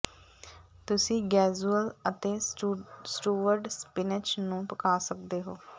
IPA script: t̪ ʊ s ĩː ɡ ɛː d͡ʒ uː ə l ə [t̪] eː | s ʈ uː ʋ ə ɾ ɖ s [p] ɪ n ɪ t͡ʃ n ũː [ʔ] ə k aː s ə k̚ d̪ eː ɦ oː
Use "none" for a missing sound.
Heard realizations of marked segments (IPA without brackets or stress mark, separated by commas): t̪, p, p